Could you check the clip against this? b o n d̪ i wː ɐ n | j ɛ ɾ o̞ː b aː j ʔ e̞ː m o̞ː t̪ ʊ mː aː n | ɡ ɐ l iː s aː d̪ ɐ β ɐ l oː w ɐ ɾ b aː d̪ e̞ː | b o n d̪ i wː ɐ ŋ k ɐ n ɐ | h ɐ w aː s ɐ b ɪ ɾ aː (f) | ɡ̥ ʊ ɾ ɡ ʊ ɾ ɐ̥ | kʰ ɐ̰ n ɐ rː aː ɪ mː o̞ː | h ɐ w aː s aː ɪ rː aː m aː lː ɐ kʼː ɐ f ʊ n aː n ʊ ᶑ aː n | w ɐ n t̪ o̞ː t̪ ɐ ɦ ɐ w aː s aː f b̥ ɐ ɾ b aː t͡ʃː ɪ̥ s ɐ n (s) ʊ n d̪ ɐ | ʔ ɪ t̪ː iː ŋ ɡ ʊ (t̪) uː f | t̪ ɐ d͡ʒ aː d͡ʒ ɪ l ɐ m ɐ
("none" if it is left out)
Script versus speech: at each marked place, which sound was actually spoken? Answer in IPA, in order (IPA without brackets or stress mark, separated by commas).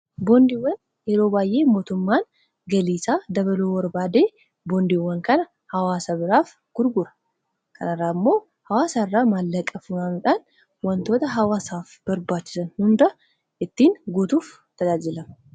f, h, t̪